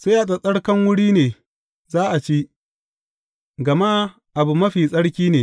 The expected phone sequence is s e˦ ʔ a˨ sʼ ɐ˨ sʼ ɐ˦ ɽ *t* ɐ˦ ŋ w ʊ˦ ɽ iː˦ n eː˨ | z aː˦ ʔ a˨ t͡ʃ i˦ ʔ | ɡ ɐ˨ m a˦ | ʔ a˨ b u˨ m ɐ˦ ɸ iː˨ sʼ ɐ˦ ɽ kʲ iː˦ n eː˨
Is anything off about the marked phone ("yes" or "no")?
yes